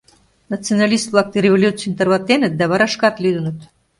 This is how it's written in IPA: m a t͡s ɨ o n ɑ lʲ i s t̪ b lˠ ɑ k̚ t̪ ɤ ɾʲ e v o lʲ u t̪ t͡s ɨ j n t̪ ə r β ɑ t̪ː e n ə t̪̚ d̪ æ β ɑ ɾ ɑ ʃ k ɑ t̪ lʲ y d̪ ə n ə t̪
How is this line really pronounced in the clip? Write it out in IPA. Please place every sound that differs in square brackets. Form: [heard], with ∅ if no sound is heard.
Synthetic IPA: [n] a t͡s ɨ o n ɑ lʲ i s t̪ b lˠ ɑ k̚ t̪ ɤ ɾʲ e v o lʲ u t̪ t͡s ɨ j n t̪ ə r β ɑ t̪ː e n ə t̪̚ d̪ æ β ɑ ɾ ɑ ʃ k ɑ t̪ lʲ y d̪ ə n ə t̪